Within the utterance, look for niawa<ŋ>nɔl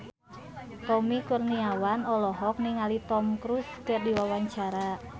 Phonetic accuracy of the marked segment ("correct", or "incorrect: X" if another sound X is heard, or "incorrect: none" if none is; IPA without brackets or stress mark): incorrect: none